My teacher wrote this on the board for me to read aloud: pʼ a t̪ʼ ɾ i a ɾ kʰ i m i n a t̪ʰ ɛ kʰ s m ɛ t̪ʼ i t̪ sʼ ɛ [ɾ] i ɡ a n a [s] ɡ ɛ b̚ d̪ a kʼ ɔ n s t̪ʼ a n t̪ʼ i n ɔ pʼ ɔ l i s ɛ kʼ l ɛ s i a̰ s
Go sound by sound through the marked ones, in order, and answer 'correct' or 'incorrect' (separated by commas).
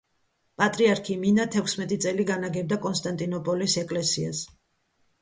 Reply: incorrect, incorrect